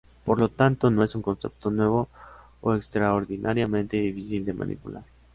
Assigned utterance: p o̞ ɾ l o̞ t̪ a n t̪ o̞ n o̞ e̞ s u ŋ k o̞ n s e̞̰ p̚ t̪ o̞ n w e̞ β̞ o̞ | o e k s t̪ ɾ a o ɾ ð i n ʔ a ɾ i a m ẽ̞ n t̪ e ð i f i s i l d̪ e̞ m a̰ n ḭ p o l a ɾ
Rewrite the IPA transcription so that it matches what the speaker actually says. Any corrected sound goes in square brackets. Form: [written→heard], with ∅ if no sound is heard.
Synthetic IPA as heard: p o̞ ɾ l o̞ t̪ a n t̪ o̞ n o̞ e̞ s u ŋ k o̞ n s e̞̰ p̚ t̪ o̞ n w e̞ β̞ o̞ | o e k s t̪ ɾ a o ɾ ð i n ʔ a ɾ [i→j] a m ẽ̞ n t̪ e ð i f i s i l d̪ e̞ m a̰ n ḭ p [o→u] l a ɾ

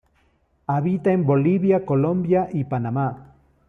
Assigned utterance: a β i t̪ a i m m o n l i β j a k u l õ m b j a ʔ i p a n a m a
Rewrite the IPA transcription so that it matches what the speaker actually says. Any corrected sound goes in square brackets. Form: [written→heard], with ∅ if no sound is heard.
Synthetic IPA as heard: a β i t̪ a [i→e] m [m→b] o [n→∅] l i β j a k [u→o] l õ m b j a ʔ i p a n a m a

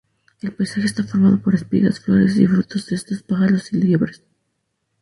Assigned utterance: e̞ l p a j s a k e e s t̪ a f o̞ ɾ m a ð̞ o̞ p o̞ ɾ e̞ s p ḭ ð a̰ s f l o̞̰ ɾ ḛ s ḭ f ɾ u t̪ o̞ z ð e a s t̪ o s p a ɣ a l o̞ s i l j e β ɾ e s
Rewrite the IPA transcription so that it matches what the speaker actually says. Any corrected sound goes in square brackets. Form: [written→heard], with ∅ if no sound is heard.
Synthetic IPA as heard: e̞ l p a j s a [k→x] e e s t̪ a f o̞ ɾ m a ð̞ o̞ p o̞ ɾ e̞ s p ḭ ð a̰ s f l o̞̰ ɾ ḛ s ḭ f ɾ u t̪ o̞ z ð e [a→e] s t̪ o s p a ɣ a l o̞ s i l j e β ɾ e s

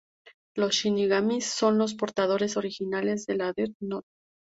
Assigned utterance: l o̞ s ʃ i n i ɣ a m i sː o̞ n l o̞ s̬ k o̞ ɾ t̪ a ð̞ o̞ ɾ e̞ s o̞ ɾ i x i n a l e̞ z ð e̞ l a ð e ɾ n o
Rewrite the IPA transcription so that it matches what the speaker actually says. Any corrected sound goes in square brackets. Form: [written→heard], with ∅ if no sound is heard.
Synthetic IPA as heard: l o̞ s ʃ i n i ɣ a m i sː o̞ n l o̞ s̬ [k→p] o̞ ɾ t̪ a ð̞ o̞ ɾ e̞ s o̞ ɾ i x i n a l e̞ z ð e̞ l a ð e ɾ n o

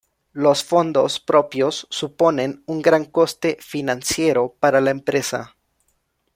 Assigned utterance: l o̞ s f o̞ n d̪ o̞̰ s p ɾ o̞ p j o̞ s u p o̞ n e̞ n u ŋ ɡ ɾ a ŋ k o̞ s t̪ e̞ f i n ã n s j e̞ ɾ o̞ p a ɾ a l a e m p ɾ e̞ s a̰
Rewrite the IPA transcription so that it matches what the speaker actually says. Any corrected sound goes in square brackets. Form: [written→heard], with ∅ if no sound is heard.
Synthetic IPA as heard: l o̞ s f o̞ n d̪ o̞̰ s p ɾ o̞ p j o̞ [s→sː] u p o̞ n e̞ n u ŋ ɡ ɾ a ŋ k o̞ s t̪ e̞ f i n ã n s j e̞ ɾ o̞ p a ɾ a l a e m p ɾ e̞ s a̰

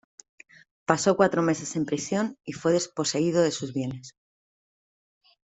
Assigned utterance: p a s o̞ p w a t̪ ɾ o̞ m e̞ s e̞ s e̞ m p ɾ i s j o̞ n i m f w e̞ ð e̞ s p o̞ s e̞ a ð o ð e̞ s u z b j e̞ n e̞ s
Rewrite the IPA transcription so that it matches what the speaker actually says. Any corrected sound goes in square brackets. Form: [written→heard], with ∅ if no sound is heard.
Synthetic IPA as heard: p a s o̞ [p→k] w a t̪ ɾ o̞ m e̞ s e̞ s e̞ m p ɾ i s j o̞ n i [m→∅] f w e̞ ð e̞ s p o̞ s e̞ [a→i] ð o ð e̞ s u z [b→β] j e̞ n e̞ s

